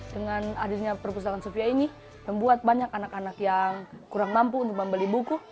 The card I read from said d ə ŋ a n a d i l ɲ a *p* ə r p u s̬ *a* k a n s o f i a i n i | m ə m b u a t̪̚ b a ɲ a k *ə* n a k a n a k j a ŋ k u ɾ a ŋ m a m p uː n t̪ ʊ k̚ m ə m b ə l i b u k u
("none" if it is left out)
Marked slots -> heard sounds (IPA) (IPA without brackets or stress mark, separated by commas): p, a, a